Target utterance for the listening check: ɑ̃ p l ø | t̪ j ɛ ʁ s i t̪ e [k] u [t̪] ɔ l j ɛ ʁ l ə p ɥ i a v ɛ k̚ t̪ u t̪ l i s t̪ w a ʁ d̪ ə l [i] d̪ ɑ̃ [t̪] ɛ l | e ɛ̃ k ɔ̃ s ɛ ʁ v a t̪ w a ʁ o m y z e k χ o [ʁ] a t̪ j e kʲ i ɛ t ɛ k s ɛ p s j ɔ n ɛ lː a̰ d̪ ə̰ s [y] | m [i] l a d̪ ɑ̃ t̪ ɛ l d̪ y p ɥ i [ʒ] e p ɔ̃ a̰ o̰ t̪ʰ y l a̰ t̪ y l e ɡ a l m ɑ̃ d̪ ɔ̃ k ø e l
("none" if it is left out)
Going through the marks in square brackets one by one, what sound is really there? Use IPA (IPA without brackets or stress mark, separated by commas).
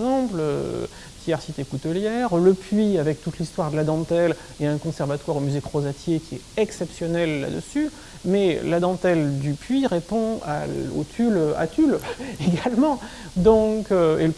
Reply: k, t̪, a, t̪, z, y, ɛ, ʁ